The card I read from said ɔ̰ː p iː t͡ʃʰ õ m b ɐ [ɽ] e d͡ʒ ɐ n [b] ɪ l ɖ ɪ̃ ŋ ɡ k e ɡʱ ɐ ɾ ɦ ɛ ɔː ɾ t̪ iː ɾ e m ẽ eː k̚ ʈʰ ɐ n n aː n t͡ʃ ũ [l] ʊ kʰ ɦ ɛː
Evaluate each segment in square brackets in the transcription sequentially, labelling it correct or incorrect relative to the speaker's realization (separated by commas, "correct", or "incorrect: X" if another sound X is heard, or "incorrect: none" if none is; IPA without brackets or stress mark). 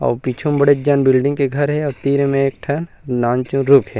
correct, correct, incorrect: ɾ